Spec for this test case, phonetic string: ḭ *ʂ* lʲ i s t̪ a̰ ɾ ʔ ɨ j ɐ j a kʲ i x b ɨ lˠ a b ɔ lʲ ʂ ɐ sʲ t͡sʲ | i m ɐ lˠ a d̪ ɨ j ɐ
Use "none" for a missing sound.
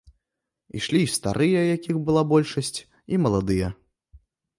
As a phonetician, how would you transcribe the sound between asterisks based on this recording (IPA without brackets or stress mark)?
ʂ